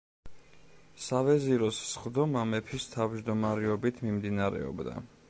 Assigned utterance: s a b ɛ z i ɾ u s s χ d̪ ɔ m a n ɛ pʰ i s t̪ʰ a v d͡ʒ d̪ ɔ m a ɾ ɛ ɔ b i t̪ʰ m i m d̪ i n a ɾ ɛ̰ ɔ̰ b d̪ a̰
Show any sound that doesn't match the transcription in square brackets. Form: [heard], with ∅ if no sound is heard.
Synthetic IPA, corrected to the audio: s a [v] ɛ z i ɾ [ɔ] s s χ d̪ ɔ m a [m] ɛ pʰ i s t̪ʰ a v d͡ʒ d̪ ɔ m a ɾ ɛ ɔ b i t̪ʰ m i m d̪ i n a ɾ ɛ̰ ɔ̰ b d̪ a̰